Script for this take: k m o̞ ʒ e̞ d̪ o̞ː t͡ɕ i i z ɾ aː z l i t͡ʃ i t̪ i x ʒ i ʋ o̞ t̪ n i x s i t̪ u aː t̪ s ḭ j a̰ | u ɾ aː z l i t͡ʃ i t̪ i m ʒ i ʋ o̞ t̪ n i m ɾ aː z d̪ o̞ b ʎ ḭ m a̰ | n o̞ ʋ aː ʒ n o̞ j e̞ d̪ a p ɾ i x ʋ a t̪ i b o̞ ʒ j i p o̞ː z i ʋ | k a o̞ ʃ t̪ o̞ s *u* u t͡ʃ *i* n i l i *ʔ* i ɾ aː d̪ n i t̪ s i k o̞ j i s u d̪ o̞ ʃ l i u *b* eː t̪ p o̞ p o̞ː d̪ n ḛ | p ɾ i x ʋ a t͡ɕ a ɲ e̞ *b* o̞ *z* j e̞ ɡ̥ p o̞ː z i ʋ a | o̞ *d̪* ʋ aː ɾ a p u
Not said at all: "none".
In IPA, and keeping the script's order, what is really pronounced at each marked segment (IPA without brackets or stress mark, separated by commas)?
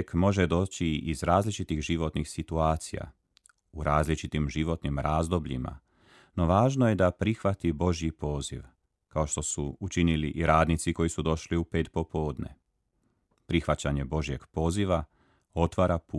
u, i, ʔ, p, b, ʒ, t̪